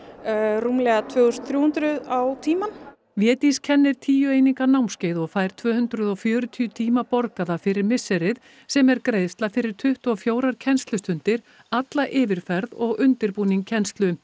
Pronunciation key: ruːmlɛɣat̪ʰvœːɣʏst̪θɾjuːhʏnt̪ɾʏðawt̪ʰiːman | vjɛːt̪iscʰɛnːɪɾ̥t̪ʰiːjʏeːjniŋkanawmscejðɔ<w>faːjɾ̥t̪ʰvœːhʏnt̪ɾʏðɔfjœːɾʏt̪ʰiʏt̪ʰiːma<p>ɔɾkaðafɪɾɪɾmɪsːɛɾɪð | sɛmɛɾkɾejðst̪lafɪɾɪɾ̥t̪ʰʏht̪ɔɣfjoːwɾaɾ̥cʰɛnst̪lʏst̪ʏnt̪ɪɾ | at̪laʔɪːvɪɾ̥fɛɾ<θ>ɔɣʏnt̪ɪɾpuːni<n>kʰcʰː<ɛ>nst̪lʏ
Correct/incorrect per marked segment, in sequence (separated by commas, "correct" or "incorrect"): incorrect, correct, incorrect, incorrect, correct